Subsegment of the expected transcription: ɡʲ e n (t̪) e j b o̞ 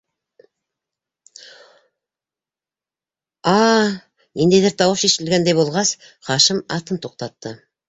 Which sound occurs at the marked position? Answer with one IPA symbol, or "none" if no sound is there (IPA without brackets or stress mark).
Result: d̪